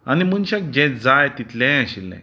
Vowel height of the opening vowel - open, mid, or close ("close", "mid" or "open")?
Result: open